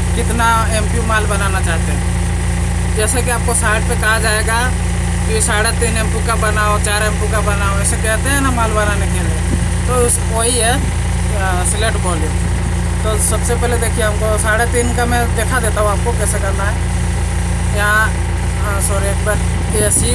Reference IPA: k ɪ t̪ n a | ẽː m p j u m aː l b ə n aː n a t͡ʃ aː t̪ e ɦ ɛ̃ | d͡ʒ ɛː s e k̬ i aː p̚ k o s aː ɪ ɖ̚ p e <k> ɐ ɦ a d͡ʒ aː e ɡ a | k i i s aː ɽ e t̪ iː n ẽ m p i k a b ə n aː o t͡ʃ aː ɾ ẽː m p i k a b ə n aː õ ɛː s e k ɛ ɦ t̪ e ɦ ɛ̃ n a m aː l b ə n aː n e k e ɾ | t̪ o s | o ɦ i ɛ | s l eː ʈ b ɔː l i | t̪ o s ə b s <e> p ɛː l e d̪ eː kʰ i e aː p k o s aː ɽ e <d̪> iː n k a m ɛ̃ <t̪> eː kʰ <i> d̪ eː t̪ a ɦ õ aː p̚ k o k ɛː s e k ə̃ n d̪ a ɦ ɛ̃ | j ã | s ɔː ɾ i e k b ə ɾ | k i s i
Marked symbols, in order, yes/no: yes, yes, no, no, no

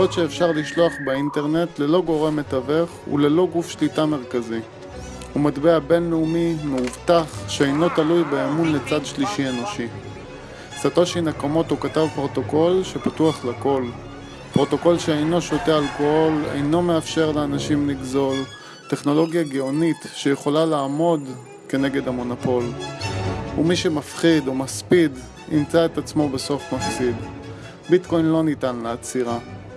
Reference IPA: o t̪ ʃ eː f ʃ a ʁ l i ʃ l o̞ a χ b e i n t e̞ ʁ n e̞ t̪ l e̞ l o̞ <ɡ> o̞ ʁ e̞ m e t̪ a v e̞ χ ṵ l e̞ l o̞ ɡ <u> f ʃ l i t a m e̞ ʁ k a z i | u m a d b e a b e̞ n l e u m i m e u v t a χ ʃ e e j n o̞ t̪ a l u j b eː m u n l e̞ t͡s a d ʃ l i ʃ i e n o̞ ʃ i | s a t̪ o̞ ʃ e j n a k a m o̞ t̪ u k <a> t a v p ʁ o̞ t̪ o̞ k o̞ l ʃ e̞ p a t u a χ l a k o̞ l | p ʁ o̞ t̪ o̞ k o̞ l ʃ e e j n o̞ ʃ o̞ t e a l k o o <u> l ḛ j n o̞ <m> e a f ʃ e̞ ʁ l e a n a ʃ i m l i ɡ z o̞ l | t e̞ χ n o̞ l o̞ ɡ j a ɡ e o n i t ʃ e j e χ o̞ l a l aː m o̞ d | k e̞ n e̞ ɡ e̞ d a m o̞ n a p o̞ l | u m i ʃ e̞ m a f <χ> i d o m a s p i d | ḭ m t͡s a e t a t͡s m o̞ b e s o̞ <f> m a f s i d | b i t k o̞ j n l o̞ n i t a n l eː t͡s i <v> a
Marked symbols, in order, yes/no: yes, yes, yes, no, yes, yes, yes, no

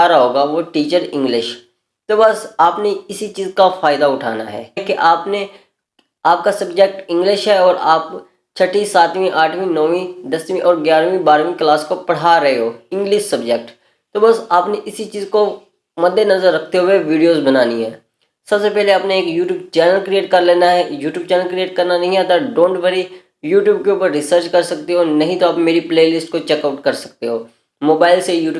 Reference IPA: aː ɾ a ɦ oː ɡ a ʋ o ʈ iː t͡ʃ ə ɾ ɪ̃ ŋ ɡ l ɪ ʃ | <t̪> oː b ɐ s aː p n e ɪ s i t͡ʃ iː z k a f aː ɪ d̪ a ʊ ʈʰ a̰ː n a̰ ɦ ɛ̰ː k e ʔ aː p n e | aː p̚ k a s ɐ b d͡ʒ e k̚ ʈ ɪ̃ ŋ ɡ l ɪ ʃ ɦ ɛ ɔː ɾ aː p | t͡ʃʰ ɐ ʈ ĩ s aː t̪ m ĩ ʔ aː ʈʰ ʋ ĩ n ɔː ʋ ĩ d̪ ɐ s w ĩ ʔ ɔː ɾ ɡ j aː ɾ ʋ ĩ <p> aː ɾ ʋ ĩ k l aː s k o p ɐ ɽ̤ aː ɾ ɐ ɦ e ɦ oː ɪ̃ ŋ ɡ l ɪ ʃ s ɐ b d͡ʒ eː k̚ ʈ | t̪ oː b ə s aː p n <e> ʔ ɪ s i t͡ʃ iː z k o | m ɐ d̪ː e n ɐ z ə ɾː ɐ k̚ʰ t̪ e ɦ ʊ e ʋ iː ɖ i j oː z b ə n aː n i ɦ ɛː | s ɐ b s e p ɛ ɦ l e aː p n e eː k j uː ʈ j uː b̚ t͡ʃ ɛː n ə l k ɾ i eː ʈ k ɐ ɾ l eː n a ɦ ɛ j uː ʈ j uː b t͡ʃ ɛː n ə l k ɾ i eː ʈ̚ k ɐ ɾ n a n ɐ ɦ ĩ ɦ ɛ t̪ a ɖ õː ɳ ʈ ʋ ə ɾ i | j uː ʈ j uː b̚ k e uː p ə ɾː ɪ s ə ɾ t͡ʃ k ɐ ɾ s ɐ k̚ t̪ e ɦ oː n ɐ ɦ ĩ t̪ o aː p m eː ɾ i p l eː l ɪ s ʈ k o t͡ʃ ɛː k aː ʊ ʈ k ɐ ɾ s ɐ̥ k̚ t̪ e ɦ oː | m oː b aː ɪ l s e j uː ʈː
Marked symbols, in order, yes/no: yes, no, yes

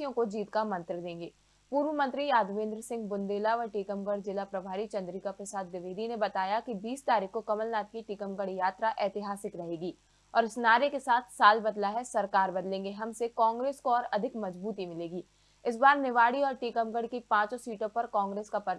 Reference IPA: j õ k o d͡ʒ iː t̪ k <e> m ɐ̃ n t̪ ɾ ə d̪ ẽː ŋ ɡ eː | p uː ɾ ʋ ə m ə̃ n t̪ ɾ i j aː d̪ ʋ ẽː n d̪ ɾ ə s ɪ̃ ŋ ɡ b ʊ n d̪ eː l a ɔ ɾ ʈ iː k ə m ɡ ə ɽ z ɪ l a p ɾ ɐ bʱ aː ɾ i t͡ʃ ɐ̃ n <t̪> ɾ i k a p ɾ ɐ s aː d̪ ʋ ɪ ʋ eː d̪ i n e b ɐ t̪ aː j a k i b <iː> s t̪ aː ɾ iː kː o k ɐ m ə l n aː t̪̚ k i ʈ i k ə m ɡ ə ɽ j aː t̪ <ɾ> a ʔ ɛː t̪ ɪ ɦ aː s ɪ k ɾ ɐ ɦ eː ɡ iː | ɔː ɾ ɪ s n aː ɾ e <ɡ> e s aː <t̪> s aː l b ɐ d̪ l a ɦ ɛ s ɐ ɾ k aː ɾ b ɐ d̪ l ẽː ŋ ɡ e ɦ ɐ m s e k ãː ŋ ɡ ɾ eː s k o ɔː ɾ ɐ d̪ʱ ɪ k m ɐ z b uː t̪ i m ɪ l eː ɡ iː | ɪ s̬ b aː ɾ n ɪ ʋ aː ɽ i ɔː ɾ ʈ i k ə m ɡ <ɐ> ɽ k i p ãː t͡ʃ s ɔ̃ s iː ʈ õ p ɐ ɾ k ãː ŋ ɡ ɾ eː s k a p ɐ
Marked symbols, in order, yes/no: no, no, yes, yes, no, no, no

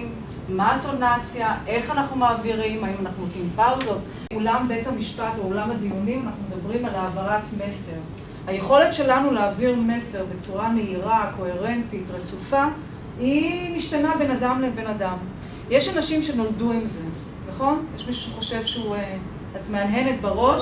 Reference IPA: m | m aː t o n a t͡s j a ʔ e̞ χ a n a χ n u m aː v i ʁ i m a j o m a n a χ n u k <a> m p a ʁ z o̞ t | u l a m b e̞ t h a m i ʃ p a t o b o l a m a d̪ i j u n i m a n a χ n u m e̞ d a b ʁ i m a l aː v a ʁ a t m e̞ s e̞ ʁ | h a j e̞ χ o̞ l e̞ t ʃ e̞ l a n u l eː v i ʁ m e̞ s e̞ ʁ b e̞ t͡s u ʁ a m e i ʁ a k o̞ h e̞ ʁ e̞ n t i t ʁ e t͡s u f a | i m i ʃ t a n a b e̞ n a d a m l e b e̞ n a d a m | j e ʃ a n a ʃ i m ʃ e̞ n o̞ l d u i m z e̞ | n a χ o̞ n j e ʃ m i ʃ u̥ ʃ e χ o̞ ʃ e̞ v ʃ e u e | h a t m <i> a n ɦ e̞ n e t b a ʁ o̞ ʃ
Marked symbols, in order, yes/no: no, no

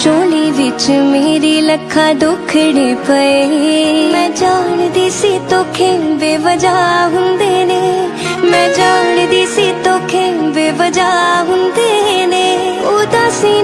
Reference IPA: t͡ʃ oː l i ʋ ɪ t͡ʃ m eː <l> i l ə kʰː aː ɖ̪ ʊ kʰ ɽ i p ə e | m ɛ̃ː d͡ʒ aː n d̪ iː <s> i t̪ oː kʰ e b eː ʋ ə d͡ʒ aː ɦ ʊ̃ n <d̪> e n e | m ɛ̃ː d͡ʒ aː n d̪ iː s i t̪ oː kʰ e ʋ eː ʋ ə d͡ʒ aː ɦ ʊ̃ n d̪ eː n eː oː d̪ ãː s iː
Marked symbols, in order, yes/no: no, yes, yes

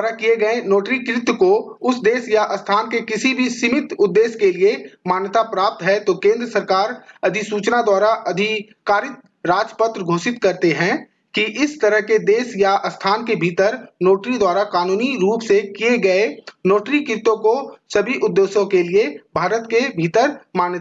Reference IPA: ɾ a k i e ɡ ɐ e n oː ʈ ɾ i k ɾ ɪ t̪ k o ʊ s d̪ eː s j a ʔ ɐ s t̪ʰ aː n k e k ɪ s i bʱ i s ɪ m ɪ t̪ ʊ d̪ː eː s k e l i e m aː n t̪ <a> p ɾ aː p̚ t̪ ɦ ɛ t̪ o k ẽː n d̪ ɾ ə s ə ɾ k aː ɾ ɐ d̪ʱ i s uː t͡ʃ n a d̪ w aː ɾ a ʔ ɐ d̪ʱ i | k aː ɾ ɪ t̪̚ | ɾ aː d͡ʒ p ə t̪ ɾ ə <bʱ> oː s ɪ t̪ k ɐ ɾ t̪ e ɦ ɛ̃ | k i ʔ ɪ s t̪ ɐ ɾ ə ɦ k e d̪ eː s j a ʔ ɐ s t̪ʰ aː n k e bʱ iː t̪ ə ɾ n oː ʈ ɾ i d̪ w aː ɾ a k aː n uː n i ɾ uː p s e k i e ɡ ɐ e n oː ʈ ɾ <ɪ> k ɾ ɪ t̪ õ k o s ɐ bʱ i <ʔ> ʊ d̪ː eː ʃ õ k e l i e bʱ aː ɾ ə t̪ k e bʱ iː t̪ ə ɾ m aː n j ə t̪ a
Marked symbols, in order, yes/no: yes, no, no, yes

